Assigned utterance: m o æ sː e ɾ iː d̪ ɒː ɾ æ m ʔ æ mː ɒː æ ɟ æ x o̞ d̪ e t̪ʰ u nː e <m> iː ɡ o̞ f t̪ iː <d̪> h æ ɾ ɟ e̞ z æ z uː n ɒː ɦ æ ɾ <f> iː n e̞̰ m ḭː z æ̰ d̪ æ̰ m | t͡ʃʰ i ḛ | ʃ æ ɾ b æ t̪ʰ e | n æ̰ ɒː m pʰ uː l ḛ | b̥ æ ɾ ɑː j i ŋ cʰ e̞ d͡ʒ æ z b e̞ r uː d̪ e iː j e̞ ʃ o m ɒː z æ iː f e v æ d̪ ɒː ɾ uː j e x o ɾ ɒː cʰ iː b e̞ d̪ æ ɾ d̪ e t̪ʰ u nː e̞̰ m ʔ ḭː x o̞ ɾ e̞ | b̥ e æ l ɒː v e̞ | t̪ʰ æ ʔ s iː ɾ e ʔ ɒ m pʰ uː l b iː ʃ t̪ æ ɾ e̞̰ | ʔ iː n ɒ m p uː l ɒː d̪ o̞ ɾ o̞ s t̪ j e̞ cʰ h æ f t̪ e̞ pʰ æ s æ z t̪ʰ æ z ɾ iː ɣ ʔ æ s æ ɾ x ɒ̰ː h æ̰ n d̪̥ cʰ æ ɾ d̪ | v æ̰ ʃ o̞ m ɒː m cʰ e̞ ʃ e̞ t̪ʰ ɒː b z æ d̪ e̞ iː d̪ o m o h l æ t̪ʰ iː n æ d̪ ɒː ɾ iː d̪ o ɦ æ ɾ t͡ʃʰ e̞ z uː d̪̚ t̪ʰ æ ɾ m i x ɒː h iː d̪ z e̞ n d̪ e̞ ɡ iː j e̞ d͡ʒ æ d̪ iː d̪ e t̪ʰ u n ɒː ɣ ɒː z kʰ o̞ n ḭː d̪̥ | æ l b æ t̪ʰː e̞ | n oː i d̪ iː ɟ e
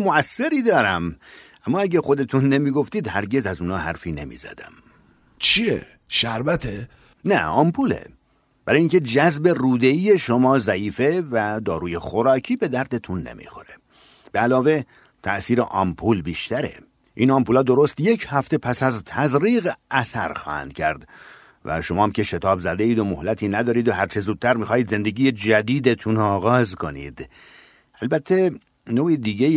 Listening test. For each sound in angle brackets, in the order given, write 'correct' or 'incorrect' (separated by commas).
correct, correct, correct